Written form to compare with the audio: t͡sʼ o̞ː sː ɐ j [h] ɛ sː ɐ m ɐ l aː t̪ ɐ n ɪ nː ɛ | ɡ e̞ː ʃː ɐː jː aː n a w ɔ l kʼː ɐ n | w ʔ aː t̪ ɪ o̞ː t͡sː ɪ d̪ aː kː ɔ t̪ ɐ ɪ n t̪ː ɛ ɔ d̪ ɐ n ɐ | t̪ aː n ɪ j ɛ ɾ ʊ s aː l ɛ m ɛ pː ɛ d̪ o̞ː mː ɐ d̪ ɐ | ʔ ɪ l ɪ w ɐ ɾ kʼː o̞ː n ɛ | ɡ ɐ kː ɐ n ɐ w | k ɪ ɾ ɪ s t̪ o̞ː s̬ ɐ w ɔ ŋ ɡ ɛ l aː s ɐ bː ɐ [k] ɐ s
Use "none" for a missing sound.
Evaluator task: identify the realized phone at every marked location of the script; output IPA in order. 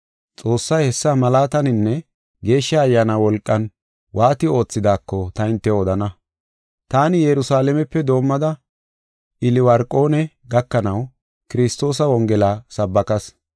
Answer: h, k

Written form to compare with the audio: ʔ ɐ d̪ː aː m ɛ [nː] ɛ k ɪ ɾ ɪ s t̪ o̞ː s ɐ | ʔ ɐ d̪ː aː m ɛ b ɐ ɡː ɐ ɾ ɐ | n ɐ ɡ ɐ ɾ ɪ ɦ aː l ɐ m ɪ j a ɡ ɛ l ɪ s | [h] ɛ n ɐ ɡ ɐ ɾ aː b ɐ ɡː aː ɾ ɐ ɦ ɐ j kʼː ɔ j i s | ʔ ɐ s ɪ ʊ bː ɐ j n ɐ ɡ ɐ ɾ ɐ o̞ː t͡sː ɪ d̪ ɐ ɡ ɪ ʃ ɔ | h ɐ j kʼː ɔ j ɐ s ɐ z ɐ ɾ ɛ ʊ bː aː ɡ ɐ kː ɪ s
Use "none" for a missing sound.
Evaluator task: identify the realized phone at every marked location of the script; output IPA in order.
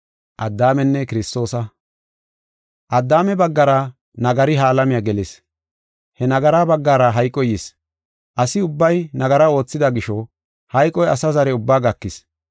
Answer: nː, h

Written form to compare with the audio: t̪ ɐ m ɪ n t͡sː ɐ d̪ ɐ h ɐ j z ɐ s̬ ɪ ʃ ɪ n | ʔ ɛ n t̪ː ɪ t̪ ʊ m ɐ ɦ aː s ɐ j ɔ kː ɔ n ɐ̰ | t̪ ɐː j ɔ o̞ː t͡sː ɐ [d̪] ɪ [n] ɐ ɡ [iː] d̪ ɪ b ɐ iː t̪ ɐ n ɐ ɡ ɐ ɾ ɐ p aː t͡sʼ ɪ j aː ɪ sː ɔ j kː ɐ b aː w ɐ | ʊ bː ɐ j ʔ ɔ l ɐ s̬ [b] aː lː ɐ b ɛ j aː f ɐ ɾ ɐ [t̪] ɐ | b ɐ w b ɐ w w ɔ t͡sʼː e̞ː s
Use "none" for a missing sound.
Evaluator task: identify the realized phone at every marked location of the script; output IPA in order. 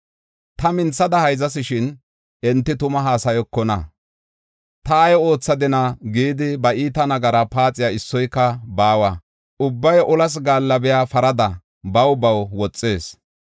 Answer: d̪, n, iː, ɡ, d̪

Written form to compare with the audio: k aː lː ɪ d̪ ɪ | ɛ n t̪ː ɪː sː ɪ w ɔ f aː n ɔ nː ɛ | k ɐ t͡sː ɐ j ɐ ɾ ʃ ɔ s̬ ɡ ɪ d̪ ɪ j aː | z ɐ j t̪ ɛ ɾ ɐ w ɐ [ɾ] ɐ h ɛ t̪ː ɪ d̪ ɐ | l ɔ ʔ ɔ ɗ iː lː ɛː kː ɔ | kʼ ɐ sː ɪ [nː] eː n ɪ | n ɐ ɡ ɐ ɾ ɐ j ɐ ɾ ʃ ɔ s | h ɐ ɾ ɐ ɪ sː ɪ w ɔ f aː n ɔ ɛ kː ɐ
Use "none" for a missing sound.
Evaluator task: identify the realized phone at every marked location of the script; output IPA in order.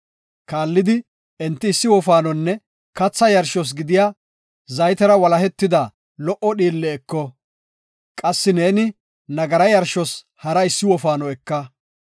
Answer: l, n

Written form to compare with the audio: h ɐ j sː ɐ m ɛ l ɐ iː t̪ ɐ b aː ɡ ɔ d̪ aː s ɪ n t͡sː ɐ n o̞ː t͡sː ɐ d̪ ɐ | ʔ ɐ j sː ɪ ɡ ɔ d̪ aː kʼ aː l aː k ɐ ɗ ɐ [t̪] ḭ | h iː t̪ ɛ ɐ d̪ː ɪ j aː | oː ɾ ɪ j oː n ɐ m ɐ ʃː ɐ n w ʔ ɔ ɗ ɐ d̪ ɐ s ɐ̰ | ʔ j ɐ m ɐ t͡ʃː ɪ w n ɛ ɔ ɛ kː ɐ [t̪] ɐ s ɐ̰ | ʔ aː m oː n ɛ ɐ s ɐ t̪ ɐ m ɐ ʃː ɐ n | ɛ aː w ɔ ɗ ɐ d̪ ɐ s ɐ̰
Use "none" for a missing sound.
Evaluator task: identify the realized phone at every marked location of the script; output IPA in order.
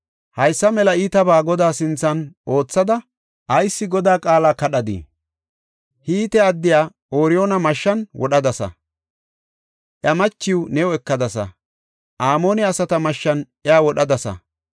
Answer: d̪, d̪

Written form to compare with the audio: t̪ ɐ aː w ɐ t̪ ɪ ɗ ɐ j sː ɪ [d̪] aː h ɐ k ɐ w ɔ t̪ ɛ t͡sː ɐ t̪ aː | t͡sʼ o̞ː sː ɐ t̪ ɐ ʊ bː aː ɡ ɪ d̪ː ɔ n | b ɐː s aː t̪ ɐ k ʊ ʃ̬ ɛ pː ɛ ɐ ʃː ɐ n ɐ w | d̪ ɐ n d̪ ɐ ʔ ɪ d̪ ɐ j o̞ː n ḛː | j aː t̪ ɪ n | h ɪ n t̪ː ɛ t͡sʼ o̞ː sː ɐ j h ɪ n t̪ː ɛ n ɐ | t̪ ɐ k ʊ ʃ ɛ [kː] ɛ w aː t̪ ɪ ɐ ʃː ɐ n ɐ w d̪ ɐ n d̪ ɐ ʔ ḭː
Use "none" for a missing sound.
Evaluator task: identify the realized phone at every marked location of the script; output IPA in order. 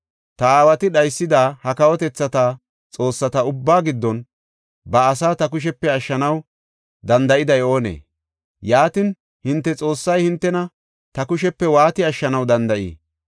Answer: d̪, pː

